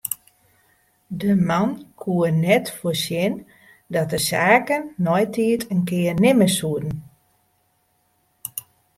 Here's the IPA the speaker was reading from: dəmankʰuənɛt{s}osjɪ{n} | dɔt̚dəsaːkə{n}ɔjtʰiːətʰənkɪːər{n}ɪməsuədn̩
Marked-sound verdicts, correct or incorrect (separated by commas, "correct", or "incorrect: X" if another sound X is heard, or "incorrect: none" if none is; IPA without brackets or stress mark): incorrect: f, correct, incorrect: nː, correct